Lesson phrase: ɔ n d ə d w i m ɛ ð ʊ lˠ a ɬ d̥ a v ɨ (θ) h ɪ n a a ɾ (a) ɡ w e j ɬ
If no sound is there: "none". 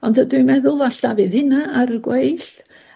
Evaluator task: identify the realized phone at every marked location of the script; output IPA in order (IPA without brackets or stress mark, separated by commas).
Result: ð, ə